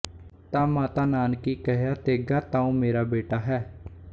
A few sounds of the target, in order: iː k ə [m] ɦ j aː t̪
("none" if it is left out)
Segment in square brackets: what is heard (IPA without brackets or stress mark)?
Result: none